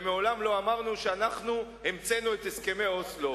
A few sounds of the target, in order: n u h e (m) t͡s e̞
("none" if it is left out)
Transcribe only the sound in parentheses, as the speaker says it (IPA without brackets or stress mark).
m